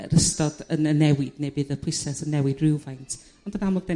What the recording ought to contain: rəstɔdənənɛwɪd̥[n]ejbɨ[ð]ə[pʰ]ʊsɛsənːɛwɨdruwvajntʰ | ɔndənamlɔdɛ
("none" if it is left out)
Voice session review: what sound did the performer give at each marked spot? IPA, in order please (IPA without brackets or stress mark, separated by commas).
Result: n, ð, pʰ